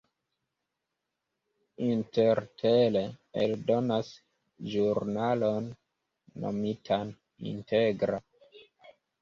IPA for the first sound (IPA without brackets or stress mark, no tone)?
i